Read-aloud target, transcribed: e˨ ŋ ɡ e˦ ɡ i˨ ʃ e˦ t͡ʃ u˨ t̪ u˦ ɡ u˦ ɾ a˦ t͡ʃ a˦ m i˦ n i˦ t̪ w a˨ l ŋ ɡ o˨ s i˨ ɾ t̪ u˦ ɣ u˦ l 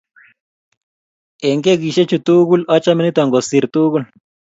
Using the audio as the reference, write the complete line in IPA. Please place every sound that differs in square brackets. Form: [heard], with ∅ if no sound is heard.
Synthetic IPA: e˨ ŋ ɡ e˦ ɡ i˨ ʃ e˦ t͡ʃ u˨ t̪ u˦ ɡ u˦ [l] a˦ t͡ʃ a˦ m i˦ n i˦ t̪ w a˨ [∅] ŋ ɡ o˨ s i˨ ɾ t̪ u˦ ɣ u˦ l